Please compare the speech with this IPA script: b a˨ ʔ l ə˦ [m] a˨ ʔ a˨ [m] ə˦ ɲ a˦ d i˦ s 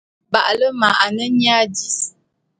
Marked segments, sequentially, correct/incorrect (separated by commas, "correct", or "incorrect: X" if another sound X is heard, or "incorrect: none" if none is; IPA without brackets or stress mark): correct, incorrect: n